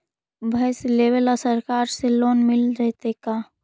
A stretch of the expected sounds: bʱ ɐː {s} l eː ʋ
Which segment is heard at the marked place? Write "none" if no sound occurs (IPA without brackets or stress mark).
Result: s